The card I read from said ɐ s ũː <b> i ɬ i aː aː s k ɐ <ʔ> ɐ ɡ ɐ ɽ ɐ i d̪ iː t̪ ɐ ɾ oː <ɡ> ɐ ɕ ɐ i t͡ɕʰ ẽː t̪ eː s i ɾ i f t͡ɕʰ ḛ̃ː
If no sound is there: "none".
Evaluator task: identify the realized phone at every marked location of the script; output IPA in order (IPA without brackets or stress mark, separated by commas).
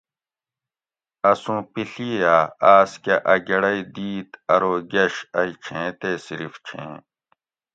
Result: p, ʔ, ɡ